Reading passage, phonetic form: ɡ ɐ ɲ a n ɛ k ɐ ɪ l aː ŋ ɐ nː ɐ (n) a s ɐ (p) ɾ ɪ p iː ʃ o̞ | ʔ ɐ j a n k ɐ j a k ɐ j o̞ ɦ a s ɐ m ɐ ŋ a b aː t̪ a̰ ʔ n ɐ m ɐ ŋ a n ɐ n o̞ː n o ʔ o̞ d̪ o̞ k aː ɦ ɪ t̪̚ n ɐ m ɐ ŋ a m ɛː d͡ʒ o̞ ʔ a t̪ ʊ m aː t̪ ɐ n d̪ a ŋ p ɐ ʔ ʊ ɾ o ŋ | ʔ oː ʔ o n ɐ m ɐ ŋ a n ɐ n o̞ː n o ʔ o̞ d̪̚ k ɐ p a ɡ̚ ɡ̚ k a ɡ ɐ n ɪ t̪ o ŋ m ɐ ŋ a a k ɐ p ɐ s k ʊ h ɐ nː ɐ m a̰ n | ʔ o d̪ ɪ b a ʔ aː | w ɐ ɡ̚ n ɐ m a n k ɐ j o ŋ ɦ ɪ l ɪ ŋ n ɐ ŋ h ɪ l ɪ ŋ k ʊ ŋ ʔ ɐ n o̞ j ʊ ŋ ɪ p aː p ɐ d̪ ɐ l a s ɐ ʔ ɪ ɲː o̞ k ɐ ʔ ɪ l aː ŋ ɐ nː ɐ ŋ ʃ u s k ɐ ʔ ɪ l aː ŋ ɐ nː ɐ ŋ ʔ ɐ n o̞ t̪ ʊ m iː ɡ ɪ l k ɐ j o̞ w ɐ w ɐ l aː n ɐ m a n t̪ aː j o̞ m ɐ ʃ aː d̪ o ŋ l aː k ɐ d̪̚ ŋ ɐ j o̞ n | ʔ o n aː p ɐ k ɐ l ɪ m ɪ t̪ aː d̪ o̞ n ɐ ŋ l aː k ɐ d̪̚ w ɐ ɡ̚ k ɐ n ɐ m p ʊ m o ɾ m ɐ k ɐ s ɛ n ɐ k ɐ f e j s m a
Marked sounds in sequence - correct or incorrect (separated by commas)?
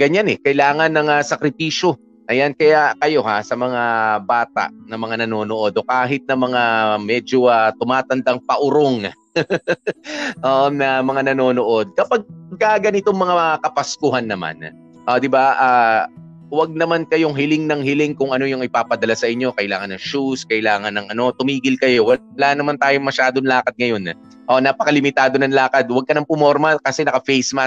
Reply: incorrect, incorrect